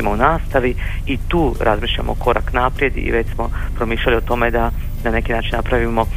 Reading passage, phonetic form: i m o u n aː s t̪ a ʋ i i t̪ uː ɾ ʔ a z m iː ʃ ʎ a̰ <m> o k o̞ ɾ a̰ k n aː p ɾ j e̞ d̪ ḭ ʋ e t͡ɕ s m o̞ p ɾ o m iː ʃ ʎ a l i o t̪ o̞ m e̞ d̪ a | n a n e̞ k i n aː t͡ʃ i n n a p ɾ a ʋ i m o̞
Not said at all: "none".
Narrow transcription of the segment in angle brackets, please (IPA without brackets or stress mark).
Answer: m